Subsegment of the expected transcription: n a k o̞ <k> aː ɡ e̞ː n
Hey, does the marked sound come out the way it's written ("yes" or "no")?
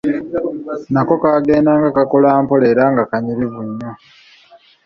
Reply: yes